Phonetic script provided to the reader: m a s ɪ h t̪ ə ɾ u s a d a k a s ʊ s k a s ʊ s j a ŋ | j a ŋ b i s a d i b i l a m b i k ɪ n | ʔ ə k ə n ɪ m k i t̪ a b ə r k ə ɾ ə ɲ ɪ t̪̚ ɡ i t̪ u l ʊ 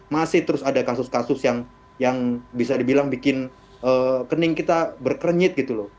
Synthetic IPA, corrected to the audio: m a s ɪ h t̪ ə ɾ ʊ s a d a k a s ʊ s k a s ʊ s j a ŋ | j a ŋ b i s a d i b i l a ŋ b i k ɪ n | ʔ ə k ə n ɪ ŋ k i t̪ a b ə r k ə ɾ ə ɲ ɪ t̪̚ ɡ i t̪ u l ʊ